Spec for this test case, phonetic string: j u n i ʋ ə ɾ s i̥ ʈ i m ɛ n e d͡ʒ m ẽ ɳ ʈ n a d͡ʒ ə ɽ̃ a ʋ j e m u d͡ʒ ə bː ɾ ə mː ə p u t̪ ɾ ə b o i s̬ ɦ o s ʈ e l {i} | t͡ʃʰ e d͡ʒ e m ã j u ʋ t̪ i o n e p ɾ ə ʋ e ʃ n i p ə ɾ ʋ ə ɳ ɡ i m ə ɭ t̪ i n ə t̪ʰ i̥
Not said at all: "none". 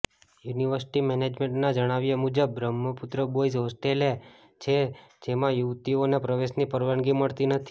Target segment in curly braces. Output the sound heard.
e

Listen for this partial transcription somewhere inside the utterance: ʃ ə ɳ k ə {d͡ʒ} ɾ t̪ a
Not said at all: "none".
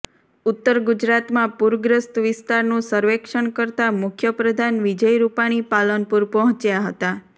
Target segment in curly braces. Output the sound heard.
none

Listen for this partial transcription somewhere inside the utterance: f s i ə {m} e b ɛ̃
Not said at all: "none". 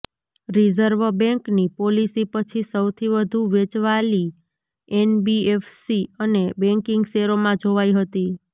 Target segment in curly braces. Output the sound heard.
n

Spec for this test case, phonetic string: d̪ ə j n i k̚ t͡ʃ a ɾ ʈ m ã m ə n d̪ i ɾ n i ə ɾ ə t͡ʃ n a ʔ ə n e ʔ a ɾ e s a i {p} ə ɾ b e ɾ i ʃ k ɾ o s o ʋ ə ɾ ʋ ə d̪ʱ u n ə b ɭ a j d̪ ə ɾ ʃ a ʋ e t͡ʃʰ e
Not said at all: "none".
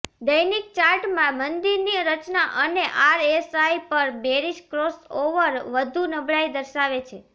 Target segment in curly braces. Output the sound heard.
p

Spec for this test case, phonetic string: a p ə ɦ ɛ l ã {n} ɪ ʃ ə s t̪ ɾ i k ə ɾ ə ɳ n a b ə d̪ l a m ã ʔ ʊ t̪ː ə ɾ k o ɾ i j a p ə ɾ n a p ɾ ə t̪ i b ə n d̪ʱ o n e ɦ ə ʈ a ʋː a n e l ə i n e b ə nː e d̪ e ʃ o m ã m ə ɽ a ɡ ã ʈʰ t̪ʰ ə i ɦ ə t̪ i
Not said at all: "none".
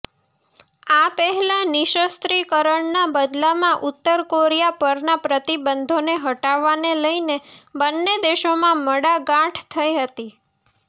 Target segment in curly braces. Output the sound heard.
n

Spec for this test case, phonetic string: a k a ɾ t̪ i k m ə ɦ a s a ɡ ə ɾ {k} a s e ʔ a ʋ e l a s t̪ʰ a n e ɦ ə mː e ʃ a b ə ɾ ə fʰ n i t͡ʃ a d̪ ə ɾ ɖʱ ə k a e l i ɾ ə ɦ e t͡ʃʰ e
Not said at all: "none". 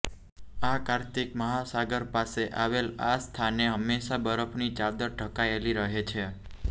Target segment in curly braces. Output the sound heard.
p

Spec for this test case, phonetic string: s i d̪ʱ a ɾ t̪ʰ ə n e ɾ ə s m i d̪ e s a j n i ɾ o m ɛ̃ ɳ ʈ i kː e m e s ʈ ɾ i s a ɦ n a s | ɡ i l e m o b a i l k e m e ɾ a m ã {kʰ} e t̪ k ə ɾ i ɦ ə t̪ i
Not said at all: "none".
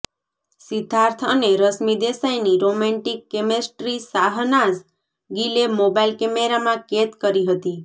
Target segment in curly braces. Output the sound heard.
k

